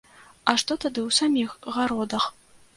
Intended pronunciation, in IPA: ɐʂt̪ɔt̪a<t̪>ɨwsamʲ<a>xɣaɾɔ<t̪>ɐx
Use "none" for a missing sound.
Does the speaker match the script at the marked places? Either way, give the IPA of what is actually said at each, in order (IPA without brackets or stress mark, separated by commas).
d̪, i, d̪